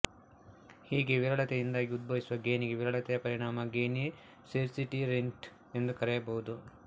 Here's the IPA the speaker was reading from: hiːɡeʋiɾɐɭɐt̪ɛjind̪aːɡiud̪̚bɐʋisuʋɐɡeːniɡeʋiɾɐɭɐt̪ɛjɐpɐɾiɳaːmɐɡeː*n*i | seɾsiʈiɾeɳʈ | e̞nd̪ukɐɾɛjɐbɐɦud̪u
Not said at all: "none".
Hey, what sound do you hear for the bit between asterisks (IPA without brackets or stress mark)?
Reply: n